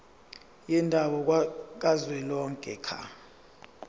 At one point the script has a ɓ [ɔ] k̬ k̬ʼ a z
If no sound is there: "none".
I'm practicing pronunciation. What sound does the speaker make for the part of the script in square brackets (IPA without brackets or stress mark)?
ɔ